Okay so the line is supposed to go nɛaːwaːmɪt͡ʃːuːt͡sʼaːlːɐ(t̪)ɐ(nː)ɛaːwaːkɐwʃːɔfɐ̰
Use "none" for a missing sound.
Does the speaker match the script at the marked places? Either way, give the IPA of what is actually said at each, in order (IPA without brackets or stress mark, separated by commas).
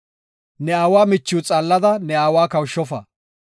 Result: d̪, n